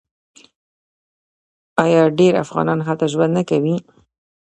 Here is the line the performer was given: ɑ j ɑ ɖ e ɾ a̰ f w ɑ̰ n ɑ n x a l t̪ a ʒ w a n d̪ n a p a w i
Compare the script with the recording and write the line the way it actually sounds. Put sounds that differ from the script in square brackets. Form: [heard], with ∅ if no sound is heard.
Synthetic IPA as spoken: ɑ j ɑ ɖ e ɾ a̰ f [ɣ] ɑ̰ n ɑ n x a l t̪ a ʒ w a n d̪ n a [k] a w i